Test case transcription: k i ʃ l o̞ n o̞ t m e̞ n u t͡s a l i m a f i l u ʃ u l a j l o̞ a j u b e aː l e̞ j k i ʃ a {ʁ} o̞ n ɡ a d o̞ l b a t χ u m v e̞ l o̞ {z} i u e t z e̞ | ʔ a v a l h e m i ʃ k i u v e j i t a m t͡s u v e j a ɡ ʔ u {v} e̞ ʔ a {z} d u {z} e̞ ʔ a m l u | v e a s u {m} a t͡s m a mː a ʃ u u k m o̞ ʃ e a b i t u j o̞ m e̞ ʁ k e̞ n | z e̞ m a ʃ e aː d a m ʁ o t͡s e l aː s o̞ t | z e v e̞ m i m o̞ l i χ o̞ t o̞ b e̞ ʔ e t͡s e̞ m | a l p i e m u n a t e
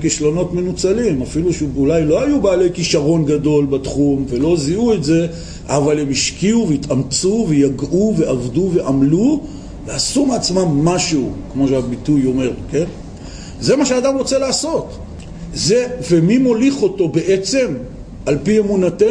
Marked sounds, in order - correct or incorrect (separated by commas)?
correct, correct, correct, incorrect, incorrect, correct